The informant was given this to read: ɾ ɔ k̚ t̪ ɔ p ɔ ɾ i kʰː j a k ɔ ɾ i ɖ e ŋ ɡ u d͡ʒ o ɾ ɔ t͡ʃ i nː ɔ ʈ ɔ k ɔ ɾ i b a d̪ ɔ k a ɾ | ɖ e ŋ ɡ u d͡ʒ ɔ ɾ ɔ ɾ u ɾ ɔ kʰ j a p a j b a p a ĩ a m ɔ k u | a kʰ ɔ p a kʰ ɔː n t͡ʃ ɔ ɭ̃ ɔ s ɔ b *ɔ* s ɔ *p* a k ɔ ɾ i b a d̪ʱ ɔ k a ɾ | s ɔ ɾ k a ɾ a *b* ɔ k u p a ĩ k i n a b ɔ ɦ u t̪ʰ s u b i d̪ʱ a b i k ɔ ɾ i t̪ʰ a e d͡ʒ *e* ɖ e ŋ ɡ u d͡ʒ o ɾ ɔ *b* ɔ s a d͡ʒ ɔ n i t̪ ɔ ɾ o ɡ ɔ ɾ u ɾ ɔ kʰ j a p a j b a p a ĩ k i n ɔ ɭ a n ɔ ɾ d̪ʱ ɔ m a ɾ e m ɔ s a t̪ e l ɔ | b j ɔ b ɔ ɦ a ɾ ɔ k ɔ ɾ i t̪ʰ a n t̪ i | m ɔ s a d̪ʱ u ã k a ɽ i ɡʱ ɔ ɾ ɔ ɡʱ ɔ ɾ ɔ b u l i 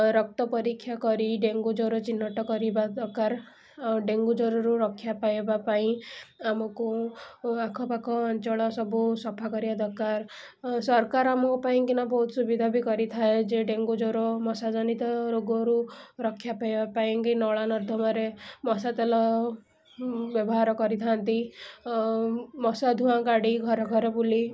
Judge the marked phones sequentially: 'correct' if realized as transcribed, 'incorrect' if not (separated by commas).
incorrect, incorrect, incorrect, correct, incorrect